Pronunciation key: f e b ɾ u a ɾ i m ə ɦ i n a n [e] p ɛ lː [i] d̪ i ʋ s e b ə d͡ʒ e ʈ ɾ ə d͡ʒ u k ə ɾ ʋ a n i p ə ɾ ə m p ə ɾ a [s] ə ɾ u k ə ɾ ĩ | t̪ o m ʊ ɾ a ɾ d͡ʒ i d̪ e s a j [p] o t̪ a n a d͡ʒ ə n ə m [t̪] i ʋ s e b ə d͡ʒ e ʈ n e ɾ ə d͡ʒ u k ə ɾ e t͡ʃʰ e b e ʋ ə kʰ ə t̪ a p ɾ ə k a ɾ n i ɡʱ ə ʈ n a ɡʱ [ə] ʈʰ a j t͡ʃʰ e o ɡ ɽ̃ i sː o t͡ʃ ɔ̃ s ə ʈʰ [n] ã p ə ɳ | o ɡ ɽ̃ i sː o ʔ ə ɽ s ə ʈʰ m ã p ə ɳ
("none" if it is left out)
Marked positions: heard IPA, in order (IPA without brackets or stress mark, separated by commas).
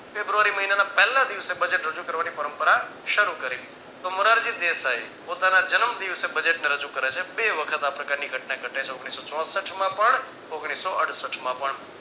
a, a, ʃ, p, d̪, ə, m